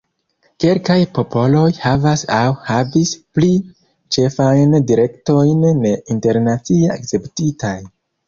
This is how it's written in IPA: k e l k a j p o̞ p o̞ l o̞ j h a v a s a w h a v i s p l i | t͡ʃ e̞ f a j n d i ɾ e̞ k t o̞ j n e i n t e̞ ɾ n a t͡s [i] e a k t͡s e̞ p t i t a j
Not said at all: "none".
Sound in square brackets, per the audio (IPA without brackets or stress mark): i